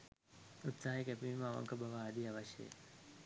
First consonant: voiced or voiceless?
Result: voiceless